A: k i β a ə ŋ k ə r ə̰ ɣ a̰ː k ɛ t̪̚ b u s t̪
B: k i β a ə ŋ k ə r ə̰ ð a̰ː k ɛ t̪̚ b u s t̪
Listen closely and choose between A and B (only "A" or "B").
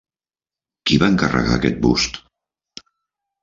A